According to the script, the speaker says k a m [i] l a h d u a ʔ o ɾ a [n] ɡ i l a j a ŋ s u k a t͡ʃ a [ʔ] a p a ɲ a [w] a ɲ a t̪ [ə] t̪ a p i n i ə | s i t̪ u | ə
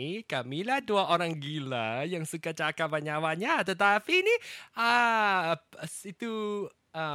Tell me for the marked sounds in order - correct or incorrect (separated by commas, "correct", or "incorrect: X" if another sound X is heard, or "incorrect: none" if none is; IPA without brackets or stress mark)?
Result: correct, incorrect: ŋ, incorrect: k, correct, correct